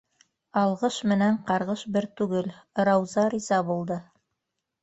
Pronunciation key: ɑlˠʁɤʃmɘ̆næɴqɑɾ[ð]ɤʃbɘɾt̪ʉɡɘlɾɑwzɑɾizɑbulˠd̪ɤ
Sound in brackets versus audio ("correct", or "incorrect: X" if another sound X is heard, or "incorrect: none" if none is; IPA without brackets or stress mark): incorrect: ʁ